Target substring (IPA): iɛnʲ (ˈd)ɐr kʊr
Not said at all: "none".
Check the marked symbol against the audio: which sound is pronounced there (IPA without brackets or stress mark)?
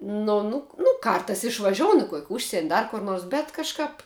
d